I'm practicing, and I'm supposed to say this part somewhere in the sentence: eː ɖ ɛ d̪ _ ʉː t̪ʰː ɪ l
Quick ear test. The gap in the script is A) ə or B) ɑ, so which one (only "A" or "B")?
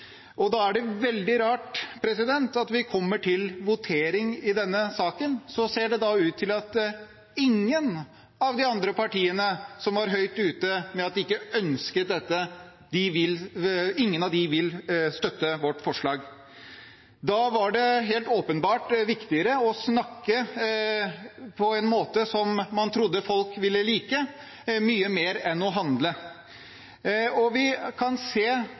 B